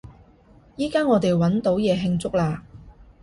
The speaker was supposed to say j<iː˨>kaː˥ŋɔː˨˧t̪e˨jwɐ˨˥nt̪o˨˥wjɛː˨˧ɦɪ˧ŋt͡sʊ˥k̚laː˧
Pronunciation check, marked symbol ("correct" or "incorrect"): incorrect